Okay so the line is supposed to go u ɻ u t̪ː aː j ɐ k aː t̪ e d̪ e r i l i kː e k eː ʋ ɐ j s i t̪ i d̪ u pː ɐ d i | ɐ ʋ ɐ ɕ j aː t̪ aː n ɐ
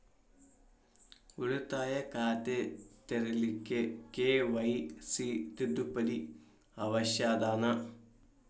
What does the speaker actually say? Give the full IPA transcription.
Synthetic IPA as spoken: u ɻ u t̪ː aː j ɐ k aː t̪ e t̪ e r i l i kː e k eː ʋ ɐ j s i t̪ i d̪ u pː ɐ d i | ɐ ʋ ɐ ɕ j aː d̪ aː n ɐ